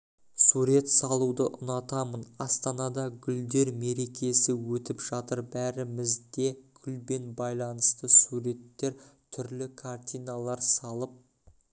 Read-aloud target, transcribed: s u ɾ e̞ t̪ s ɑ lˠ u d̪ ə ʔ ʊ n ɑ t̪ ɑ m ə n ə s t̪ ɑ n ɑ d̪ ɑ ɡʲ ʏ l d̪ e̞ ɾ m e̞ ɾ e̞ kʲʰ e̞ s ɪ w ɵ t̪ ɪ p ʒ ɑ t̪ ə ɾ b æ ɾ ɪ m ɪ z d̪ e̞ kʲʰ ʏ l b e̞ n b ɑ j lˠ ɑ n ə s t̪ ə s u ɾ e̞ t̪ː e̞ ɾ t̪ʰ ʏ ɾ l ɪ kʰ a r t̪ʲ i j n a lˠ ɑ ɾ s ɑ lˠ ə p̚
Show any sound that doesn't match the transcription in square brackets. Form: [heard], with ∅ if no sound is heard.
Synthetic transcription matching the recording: s u ɾ e̞ t̪ s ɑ lˠ u d̪ ə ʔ ʊ n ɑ t̪ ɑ m ə n [ɑ] s t̪ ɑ n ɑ d̪ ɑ ɡʲ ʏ l d̪ e̞ ɾ m e̞ ɾ e̞ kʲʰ e̞ s ɪ w ɵ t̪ ɪ p ʒ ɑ t̪ ə ɾ b æ ɾ ɪ m ɪ z d̪ e̞ kʲʰ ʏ l b e̞ n b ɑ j lˠ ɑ n ə s t̪ ə s u ɾ e̞ t̪ː e̞ ɾ t̪ʰ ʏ ɾ l ɪ kʰ a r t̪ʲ i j n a lˠ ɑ ɾ s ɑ lˠ ə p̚